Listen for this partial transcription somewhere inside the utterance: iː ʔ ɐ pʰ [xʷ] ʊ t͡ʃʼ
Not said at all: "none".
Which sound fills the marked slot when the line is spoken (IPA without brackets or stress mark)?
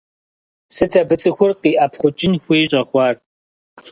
χʷ